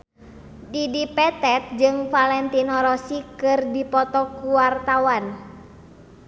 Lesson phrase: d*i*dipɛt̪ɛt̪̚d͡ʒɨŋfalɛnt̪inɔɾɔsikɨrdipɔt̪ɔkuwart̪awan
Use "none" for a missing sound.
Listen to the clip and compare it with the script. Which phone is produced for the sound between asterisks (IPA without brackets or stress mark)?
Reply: i